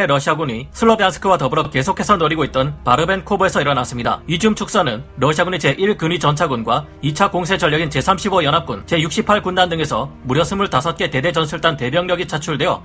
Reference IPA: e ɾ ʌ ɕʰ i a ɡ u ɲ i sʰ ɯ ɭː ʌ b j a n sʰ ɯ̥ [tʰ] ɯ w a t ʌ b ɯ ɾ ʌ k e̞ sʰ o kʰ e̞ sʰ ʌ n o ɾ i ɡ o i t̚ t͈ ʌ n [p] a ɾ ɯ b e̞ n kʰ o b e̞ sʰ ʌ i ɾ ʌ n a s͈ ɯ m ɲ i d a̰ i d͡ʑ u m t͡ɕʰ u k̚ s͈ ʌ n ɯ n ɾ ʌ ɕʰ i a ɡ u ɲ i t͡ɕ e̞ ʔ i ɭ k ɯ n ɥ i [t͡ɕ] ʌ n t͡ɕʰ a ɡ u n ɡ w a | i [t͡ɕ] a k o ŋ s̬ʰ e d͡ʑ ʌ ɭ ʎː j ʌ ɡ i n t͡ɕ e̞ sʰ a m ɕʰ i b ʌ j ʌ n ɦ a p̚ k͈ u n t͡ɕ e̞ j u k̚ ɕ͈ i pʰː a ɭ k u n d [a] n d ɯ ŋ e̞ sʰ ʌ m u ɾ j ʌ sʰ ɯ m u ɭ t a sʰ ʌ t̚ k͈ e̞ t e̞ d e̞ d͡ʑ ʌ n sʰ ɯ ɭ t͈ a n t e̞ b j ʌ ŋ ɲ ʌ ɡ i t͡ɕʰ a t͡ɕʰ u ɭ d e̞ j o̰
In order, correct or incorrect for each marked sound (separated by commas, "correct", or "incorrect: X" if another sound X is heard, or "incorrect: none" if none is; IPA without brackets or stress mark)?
incorrect: kʰ, correct, correct, incorrect: t͡ɕʰ, correct